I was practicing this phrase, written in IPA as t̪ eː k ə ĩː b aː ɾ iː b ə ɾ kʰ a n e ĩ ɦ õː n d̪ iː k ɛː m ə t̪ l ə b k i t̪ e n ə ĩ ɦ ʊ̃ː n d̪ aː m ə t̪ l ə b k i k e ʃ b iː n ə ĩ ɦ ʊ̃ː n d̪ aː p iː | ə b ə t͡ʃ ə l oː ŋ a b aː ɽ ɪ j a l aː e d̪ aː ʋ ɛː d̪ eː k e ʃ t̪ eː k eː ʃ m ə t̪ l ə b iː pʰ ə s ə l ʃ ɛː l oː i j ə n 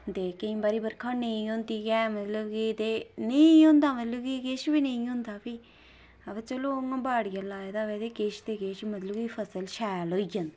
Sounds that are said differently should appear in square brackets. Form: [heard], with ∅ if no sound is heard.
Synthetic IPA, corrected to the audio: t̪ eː k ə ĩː b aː ɾ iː b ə ɾ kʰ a n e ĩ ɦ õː n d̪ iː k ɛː m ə t̪ l ə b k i t̪ e n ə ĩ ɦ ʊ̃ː n d̪ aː m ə t̪ l ə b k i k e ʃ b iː n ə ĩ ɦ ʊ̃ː n d̪ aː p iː | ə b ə t͡ʃ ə l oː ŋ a b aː ɽ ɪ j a l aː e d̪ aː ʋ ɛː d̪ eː k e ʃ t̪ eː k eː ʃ m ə t̪ l ə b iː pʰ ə s ə l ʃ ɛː l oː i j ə n